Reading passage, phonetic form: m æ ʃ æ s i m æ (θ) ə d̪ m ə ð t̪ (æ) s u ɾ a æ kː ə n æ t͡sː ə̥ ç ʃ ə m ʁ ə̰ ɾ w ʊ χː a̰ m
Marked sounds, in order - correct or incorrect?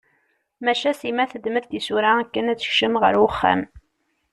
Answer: correct, incorrect: i

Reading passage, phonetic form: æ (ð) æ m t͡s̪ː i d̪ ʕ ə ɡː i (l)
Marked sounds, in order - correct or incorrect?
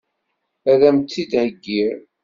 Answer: correct, incorrect: ɾ

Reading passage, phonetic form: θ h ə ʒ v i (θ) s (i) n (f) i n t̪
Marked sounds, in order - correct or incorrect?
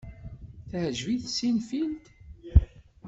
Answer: correct, correct, correct

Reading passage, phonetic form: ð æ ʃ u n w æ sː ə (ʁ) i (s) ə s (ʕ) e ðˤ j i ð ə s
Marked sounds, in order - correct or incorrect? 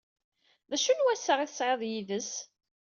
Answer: correct, incorrect: θ, correct

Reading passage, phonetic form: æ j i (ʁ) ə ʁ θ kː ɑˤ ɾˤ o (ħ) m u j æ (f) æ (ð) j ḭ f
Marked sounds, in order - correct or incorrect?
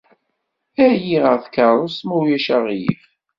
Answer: correct, incorrect: s, incorrect: ʃ, incorrect: ʁ

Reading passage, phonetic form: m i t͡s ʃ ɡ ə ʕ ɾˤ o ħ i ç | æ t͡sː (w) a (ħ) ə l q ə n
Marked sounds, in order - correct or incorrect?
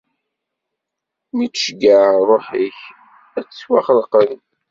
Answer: correct, incorrect: χ

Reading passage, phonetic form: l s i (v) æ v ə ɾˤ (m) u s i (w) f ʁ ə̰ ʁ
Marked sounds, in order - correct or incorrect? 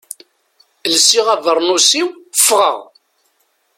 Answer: incorrect: ʁ, incorrect: n, correct

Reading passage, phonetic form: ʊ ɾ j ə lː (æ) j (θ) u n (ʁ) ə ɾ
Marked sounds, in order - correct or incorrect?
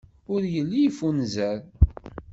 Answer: incorrect: i, incorrect: f, incorrect: z

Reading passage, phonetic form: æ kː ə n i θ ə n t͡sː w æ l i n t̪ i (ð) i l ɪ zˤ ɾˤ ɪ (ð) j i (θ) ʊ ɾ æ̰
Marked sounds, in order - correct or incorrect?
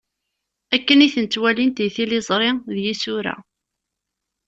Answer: incorrect: θ, correct, incorrect: s

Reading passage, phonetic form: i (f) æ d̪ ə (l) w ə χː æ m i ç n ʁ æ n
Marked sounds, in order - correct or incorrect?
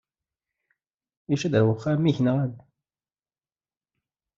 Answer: incorrect: ʃ, incorrect: ɾ

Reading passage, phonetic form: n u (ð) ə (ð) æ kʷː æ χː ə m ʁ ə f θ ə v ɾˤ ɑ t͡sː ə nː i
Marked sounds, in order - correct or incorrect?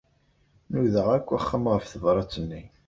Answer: correct, incorrect: ʁ

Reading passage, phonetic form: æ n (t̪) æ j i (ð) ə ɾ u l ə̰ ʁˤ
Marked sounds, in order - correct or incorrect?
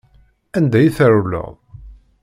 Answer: incorrect: d̪, incorrect: θ

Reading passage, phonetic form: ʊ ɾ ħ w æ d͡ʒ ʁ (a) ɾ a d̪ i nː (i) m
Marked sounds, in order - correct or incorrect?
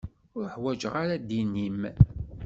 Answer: correct, correct

